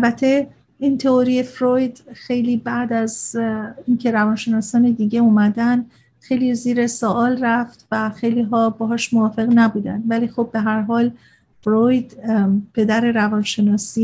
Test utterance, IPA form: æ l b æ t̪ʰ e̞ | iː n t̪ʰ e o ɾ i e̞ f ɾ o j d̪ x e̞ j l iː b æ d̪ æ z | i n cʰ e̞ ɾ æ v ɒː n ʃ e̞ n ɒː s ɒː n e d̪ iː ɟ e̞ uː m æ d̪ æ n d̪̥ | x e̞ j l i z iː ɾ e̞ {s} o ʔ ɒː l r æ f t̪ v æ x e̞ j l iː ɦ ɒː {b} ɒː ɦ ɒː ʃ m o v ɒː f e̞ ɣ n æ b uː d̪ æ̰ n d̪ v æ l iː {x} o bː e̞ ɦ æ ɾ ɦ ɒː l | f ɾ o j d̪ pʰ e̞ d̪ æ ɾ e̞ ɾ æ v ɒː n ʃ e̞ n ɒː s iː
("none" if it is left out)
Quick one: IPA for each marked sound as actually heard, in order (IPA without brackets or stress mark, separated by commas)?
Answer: s, b, x